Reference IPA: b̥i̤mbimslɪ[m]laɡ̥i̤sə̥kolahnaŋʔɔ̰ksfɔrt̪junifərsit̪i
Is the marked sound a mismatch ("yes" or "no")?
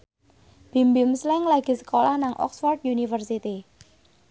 yes